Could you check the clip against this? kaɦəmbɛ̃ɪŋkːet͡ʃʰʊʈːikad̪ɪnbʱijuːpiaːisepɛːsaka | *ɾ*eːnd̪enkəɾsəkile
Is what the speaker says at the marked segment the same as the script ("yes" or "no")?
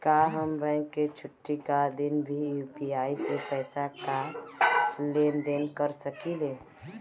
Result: no